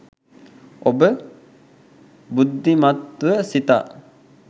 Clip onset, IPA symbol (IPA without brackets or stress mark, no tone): o